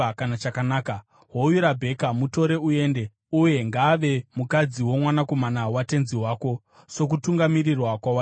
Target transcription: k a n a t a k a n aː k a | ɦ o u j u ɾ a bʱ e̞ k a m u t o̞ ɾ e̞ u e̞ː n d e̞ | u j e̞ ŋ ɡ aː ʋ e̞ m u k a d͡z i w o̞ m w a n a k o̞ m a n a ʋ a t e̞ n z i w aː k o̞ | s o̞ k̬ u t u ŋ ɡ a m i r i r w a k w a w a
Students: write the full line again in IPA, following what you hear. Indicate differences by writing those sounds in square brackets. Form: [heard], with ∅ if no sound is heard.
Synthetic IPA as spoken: k a n a [t͡ʃ] a k a n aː k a | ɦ o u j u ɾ a bʱ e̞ k a m u t o̞ ɾ e̞ u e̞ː n d e̞ | u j e̞ ŋ ɡ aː ʋ e̞ m u k a d͡z i w o̞ m w a n a k o̞ m a n a [w] a t e̞ n z i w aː k o̞ | s o̞ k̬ u t u ŋ ɡ a m i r i r w a k w a w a